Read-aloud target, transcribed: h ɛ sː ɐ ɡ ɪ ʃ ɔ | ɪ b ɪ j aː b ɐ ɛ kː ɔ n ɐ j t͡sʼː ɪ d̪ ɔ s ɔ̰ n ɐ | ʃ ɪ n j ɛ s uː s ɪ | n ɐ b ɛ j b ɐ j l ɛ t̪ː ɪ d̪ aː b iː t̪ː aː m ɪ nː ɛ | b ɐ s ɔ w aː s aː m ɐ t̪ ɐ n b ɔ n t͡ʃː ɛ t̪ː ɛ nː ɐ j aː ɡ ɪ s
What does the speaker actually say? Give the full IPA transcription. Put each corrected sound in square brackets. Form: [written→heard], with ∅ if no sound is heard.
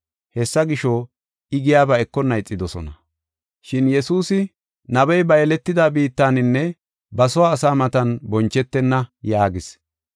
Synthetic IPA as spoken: h ɛ sː ɐ ɡ ɪ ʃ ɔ | ɪ [b→ɡ] ɪ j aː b ɐ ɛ kː ɔ n ɐ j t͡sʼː ɪ d̪ ɔ s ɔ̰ n ɐ | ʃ ɪ n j ɛ s uː s ɪ | n ɐ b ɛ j b ɐ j l ɛ t̪ː ɪ d̪ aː b iː t̪ː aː [m→n] ɪ nː ɛ | b ɐ s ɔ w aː s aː m ɐ t̪ ɐ n b ɔ n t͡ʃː ɛ t̪ː ɛ nː ɐ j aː ɡ ɪ s

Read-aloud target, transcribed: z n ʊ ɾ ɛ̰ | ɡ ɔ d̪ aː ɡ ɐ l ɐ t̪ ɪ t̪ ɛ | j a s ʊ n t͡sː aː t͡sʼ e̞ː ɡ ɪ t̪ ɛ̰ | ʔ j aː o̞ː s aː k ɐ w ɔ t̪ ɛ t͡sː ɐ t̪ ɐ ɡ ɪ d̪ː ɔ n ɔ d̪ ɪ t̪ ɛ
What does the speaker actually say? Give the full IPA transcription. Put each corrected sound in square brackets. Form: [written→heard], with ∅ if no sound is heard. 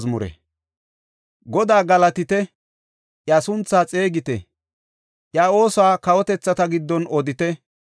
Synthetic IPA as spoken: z [n→m] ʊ ɾ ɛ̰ | ɡ ɔ d̪ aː ɡ ɐ l ɐ t̪ ɪ t̪ ɛ | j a s ʊ n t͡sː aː t͡sʼ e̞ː ɡ ɪ t̪ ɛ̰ | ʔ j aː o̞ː s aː k ɐ w ɔ t̪ ɛ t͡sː ɐ t̪ ɐ ɡ ɪ d̪ː ɔ n ɔ d̪ ɪ t̪ ɛ

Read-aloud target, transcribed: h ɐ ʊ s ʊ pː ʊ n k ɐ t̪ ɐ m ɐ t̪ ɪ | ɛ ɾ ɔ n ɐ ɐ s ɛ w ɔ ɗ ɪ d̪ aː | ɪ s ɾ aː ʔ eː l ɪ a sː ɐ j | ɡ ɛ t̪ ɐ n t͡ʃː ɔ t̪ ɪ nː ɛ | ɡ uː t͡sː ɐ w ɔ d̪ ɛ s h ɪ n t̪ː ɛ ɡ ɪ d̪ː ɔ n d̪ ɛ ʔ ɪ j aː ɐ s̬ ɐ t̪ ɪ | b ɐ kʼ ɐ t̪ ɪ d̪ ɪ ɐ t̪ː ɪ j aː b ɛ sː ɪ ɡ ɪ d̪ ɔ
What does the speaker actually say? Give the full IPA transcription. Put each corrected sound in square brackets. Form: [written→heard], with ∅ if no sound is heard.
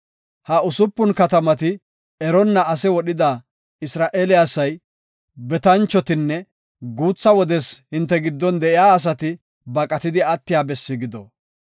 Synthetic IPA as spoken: h ɐ ʊ s ʊ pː ʊ n k ɐ t̪ ɐ m ɐ t̪ ɪ | ɛ ɾ ɔ [n→nː] ɐ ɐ s ɛ w ɔ ɗ ɪ d̪ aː | ɪ s ɾ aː ʔ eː l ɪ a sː ɐ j | [ɡ→b] ɛ t̪ ɐ n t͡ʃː ɔ t̪ ɪ nː ɛ | ɡ uː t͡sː ɐ w ɔ d̪ ɛ s h ɪ n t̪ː ɛ ɡ ɪ d̪ː ɔ n d̪ ɛ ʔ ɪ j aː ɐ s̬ ɐ t̪ ɪ | b ɐ kʼ ɐ t̪ ɪ d̪ ɪ ɐ t̪ː ɪ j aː b ɛ sː ɪ ɡ ɪ d̪ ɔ

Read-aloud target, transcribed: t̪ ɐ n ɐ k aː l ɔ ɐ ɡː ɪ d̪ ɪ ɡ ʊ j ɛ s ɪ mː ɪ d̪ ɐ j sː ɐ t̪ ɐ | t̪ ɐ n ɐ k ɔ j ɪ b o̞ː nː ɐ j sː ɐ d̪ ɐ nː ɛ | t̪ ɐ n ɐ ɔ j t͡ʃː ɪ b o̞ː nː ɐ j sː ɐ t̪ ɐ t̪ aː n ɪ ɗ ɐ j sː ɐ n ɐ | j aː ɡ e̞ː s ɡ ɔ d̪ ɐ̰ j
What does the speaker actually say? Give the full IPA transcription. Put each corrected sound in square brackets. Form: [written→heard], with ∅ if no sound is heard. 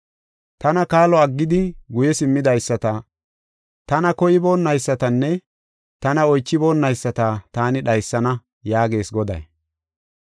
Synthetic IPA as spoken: t̪ ɐ n ɐ k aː l ɔ ɐ ɡː ɪ d̪ ɪ ɡ ʊ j ɛ s ɪ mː ɪ d̪ ɐ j sː ɐ t̪ ɐ | t̪ ɐ n ɐ k ɔ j ɪ b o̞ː nː ɐ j sː ɐ [d̪→t̪] ɐ nː ɛ | t̪ ɐ n ɐ ɔ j t͡ʃː ɪ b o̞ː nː ɐ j sː ɐ t̪ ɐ t̪ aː n ɪ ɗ ɐ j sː ɐ n ɐ | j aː ɡ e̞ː s ɡ ɔ d̪ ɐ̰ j

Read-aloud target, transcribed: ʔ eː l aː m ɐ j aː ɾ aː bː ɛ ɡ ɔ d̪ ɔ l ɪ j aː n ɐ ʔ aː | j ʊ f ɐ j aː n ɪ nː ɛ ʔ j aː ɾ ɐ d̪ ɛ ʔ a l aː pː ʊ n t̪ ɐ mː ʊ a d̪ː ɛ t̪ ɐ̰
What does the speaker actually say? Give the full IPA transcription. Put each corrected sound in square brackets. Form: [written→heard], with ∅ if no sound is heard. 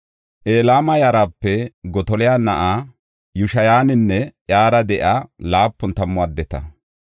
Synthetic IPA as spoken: ʔ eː l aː m ɐ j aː ɾ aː [bː→pː] ɛ ɡ ɔ [d̪→t̪] ɔ l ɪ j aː n ɐ ʔ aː | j ʊ [f→ʃ] ɐ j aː n ɪ nː ɛ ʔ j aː ɾ ɐ d̪ ɛ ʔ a l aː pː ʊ n t̪ ɐ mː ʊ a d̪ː ɛ t̪ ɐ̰

